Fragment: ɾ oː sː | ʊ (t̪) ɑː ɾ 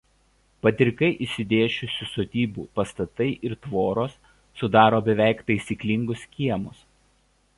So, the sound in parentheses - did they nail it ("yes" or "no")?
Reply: no